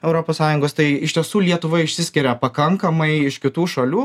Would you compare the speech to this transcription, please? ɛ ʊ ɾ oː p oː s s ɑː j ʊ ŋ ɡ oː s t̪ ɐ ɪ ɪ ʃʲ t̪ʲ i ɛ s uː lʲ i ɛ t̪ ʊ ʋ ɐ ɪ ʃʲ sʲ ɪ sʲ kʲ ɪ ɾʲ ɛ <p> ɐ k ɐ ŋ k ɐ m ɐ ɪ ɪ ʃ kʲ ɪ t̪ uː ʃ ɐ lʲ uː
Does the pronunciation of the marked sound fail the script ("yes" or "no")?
no